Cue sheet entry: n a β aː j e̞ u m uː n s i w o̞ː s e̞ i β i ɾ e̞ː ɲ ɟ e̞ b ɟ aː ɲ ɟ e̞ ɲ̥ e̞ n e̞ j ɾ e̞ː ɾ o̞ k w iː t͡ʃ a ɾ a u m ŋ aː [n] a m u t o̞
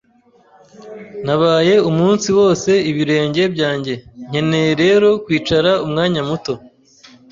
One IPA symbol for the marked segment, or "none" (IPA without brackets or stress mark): ɲ